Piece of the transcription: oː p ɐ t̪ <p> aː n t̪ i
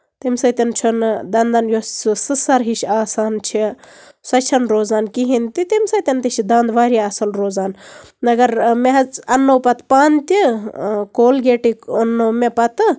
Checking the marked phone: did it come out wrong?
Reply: no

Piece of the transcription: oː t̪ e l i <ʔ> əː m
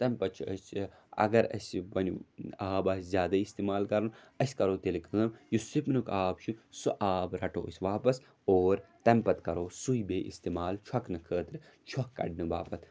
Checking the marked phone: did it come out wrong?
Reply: yes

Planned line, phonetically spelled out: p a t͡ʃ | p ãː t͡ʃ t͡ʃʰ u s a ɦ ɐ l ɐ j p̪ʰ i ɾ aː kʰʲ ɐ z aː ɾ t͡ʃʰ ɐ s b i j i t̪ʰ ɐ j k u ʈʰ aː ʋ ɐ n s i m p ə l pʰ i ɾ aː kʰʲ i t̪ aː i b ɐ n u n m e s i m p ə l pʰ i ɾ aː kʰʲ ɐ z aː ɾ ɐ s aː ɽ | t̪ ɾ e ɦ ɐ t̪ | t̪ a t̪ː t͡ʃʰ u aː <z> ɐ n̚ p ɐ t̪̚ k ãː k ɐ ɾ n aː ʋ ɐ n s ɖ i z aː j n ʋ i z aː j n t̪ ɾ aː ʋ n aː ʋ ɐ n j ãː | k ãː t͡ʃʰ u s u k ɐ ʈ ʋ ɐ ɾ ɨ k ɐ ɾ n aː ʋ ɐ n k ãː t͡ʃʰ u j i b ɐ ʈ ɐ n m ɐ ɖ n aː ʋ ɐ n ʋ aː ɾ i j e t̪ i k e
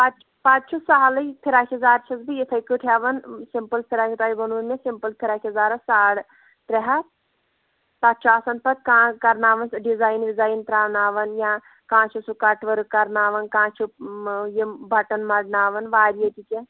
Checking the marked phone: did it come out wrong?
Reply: yes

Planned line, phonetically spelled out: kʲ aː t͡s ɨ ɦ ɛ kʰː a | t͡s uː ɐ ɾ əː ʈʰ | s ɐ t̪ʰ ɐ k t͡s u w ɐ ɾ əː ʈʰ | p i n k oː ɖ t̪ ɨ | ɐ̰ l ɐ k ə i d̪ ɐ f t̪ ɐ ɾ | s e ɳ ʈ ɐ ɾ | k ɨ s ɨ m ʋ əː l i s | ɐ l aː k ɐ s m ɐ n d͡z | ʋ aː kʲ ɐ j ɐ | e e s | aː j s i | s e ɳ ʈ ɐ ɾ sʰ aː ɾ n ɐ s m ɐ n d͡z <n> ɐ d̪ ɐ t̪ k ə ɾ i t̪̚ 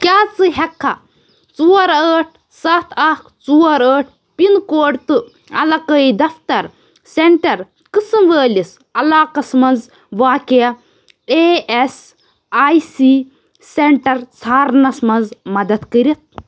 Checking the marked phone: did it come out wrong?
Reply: yes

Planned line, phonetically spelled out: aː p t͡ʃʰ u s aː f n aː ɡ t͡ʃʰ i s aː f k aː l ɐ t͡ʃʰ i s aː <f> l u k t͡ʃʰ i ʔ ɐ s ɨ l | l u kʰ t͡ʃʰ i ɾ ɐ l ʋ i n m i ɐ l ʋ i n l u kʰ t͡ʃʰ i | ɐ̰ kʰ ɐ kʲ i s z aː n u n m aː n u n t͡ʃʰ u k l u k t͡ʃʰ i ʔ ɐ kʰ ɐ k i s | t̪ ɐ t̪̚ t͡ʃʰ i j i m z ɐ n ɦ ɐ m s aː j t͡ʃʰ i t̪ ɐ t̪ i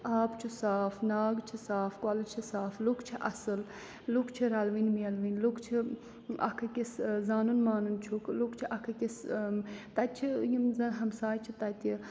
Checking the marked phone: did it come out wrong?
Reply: no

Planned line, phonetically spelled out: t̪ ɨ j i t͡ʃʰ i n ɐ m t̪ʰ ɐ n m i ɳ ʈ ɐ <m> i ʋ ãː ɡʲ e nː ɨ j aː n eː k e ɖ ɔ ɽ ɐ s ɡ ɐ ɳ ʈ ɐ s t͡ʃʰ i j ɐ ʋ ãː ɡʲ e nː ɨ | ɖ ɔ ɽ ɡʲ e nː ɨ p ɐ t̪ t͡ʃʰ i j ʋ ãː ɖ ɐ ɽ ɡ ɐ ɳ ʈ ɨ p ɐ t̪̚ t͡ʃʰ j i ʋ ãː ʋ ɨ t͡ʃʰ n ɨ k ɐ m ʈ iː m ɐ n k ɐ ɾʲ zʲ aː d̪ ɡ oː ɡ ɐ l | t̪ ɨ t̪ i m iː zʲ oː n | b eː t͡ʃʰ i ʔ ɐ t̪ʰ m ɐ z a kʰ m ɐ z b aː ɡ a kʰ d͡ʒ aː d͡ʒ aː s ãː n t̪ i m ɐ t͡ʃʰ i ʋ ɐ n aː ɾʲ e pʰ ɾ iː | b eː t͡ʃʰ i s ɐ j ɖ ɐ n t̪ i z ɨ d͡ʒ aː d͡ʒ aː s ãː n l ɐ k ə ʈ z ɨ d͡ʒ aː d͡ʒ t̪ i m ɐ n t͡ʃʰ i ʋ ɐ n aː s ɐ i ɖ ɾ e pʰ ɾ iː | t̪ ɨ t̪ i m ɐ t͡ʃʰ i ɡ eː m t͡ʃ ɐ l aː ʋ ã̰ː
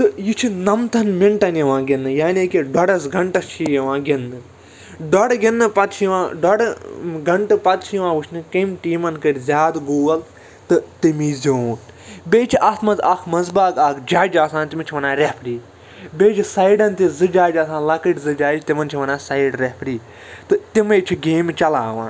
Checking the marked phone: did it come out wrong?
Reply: yes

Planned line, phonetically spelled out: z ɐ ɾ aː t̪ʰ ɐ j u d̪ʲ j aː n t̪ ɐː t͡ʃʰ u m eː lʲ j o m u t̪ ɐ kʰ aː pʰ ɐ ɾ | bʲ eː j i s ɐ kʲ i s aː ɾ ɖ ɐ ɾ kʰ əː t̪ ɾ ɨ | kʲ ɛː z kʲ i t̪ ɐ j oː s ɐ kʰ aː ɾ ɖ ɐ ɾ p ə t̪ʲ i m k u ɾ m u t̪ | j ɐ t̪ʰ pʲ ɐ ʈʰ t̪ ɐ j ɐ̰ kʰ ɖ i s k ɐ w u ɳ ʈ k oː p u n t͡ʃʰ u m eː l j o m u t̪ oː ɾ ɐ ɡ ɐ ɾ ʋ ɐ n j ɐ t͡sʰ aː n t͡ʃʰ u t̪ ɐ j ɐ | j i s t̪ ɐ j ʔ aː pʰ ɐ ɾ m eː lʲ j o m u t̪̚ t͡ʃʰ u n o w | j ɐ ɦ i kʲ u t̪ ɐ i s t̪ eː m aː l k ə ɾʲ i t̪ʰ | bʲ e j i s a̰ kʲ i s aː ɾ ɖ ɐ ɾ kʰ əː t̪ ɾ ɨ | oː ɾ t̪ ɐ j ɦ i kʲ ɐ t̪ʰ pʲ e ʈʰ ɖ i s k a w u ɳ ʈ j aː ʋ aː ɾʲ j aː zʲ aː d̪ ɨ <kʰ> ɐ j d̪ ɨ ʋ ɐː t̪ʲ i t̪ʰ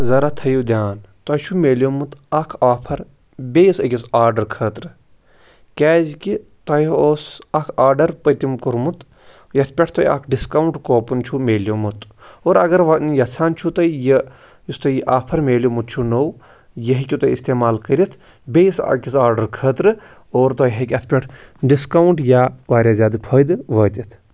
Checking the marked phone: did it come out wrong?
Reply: yes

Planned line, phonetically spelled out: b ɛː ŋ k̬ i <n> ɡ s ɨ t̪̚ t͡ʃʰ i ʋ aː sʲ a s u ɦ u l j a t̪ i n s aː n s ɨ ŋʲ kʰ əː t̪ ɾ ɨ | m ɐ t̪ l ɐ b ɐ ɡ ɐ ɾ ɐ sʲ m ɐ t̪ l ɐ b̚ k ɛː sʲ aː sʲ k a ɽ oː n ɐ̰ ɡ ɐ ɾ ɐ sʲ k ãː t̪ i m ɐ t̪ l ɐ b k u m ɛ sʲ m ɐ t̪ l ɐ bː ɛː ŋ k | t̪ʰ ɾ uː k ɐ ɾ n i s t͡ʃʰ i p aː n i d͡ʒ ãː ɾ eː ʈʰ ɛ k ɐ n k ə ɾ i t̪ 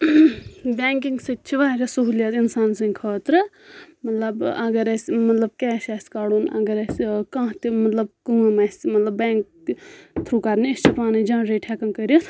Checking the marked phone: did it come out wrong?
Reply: yes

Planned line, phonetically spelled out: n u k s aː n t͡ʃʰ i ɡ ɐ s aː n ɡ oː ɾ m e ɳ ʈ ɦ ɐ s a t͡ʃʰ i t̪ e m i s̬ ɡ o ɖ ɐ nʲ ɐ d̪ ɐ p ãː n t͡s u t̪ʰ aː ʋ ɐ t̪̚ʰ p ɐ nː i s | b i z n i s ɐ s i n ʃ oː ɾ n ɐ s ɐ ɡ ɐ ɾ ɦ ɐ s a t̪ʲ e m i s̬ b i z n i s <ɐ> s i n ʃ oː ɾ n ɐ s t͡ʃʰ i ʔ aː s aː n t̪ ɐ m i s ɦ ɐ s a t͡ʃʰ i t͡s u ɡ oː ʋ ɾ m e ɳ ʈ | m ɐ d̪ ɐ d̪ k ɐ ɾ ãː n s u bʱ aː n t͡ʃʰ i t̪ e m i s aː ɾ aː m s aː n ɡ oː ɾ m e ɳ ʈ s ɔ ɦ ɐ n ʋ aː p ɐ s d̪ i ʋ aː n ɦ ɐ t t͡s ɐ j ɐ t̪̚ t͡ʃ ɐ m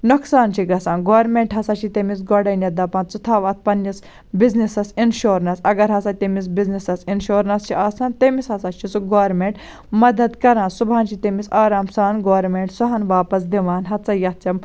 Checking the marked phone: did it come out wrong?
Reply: no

